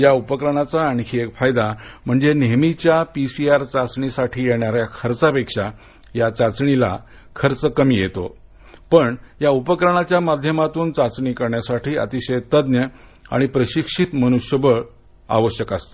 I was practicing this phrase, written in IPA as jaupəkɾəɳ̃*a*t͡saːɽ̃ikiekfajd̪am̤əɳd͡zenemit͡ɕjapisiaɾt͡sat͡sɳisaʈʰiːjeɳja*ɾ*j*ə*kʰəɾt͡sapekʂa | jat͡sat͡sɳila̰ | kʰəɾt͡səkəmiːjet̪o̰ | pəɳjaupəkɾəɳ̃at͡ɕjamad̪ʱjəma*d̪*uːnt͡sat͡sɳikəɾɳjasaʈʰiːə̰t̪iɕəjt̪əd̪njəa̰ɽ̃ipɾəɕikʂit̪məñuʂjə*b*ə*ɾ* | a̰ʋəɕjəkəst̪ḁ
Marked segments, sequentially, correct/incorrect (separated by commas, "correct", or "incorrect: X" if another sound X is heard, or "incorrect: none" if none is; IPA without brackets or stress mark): correct, correct, incorrect: a, incorrect: t̪, correct, incorrect: ɭ